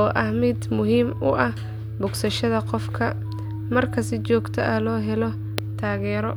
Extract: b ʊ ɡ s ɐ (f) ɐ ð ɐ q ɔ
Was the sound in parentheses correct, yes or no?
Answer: no